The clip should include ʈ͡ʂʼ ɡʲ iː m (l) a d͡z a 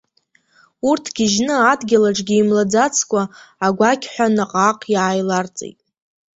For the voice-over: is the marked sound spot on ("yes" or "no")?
yes